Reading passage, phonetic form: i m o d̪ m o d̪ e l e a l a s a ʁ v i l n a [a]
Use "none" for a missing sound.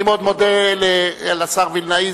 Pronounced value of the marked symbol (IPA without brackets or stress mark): i